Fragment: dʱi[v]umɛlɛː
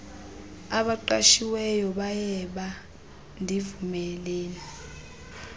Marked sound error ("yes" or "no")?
no